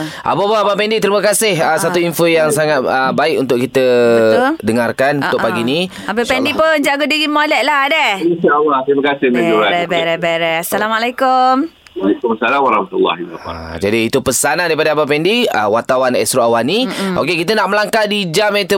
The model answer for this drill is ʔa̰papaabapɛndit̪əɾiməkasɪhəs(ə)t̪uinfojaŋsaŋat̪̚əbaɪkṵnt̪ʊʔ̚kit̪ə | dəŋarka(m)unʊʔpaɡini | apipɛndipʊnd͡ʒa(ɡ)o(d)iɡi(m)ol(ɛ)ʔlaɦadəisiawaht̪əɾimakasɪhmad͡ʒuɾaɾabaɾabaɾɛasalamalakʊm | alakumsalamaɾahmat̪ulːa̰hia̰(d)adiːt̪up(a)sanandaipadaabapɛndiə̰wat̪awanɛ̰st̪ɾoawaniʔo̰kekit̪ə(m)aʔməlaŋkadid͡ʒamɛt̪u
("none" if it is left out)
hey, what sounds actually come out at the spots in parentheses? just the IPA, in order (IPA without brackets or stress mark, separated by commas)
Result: a, n, ɡ, d, m, ɛ, d͡ʒ, ə, n